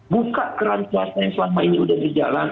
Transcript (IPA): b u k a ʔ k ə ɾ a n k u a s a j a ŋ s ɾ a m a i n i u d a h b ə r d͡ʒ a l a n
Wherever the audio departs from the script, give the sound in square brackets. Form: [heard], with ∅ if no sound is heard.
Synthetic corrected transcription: b u k a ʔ k ə ɾ a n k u a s a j a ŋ s [l] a m a i n i u d a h b ə r d͡ʒ a l a n